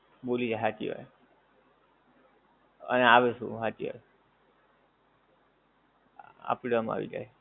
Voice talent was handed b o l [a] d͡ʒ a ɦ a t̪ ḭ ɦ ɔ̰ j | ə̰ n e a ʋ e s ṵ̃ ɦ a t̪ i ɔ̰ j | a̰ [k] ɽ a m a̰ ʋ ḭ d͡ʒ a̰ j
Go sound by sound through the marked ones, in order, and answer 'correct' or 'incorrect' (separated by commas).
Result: incorrect, incorrect